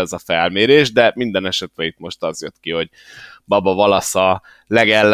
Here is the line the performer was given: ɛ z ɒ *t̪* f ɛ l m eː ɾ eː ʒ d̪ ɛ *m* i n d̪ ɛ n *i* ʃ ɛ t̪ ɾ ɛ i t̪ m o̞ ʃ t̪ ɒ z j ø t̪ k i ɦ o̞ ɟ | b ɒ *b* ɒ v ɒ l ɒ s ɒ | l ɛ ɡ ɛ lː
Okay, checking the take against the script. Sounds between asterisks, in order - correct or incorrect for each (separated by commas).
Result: incorrect, correct, incorrect, correct